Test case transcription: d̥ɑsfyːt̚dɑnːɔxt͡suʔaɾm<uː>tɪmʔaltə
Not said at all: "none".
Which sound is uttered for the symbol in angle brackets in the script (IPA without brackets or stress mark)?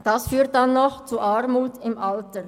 uː